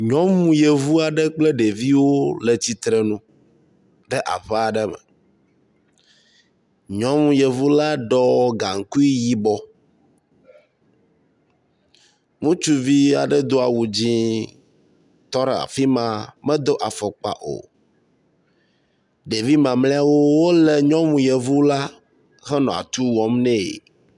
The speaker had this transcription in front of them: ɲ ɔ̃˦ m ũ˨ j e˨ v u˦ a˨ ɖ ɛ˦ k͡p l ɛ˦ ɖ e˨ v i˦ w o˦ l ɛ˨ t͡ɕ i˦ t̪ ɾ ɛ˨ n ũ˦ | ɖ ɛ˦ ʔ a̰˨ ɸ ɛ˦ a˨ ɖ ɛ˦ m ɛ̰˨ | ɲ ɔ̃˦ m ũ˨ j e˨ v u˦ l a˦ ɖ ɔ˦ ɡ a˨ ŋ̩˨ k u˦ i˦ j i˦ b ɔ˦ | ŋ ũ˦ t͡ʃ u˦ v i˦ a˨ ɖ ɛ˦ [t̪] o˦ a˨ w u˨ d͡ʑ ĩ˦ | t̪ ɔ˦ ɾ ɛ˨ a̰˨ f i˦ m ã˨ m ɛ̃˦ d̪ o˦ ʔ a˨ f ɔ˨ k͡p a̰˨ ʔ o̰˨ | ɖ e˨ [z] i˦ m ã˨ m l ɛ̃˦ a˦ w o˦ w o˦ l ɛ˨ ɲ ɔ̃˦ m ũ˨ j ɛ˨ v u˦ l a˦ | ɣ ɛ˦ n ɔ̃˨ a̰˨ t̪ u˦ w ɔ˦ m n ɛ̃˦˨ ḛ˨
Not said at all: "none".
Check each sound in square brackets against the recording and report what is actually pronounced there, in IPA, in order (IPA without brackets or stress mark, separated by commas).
d̪, v